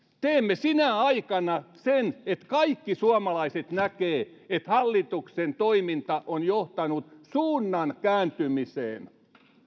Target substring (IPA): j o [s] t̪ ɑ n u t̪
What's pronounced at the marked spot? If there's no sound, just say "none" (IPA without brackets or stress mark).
h